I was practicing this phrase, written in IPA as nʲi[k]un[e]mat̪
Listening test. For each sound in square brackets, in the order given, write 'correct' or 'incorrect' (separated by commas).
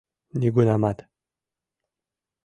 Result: incorrect, incorrect